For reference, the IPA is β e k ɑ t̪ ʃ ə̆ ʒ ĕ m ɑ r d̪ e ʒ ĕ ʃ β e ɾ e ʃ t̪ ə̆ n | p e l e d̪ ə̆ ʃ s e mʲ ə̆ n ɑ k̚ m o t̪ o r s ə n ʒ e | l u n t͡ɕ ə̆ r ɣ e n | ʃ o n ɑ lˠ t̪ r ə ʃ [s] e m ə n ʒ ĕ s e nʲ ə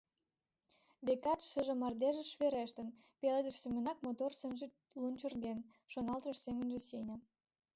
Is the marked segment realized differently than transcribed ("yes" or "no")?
no